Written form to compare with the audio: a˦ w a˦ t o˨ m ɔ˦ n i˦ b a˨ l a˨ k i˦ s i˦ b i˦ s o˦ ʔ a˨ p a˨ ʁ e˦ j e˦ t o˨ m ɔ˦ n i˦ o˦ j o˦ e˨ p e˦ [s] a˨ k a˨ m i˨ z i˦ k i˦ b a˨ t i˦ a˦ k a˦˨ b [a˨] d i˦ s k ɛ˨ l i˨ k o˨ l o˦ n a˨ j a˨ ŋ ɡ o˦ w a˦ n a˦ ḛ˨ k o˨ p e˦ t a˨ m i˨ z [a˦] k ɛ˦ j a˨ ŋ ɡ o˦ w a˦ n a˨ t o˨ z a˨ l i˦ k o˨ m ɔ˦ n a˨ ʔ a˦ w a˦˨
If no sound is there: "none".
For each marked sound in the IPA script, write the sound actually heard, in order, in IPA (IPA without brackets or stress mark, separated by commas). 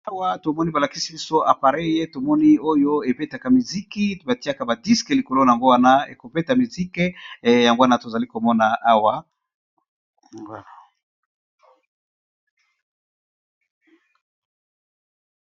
t, a˨, i˦